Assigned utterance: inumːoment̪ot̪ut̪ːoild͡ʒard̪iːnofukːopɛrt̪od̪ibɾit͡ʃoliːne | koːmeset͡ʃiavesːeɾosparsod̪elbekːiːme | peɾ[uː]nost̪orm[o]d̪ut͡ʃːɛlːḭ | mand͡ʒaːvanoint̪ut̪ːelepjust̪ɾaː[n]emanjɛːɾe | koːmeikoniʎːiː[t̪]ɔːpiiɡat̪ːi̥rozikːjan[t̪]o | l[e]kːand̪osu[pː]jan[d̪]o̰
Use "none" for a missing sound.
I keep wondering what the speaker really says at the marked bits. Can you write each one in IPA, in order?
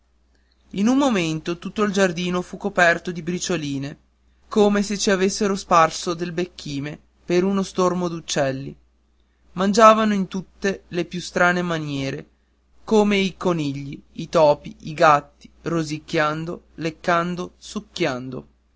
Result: u, o, n, t̪, d̪, e, kː, d̪

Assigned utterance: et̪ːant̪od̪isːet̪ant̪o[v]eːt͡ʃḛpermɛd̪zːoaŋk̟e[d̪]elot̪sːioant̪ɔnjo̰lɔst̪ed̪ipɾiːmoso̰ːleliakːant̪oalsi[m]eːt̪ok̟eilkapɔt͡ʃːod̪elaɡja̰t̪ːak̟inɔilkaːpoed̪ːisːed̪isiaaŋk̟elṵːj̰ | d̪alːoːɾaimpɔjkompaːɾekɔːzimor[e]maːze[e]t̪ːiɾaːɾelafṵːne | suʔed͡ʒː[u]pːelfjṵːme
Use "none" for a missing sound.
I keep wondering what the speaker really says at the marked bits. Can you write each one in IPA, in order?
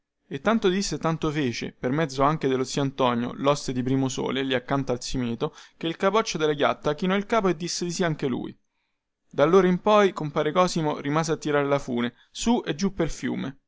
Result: f, d̪, m, i, a, u

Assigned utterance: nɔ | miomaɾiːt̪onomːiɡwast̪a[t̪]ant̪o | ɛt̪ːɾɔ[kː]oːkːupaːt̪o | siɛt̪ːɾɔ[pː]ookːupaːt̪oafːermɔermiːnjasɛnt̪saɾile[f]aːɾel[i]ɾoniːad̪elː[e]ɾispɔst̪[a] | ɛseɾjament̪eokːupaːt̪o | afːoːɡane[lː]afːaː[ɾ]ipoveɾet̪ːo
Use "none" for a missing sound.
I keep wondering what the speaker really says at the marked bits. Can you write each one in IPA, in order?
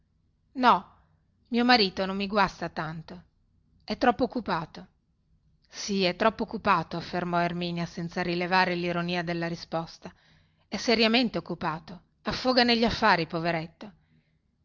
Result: t̪, pː, pː, v, i, a, a, ʎː, ɾ

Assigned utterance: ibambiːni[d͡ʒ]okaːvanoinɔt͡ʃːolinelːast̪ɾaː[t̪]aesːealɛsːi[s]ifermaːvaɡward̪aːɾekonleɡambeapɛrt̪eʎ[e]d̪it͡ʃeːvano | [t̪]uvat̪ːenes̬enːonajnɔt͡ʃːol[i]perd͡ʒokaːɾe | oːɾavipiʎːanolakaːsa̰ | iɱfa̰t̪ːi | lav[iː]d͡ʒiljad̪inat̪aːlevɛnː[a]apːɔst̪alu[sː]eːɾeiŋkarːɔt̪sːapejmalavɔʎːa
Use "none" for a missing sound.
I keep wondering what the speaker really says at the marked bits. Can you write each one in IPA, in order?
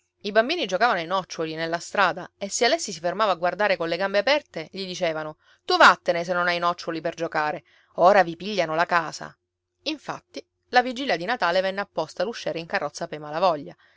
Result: d͡ʒ, d̪, s, i, t̪, i, i, e, ʃː

